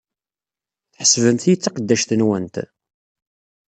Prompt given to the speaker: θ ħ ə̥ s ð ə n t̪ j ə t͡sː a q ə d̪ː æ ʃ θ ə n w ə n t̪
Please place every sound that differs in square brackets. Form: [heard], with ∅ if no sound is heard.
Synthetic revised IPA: θ ħ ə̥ s [v] ə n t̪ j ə t͡sː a q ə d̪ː æ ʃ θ ə n w ə n t̪